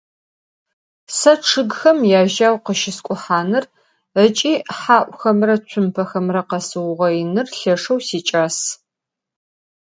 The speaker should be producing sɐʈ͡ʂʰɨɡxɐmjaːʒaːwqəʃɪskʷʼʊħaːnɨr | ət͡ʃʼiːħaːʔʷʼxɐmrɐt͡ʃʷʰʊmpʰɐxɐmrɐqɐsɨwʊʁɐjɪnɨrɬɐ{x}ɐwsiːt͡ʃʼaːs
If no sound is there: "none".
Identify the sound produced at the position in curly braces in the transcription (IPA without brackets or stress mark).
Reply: ʂ